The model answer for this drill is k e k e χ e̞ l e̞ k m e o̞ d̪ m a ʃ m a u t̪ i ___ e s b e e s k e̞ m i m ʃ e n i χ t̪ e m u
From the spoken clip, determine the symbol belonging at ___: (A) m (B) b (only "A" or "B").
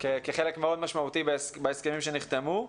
B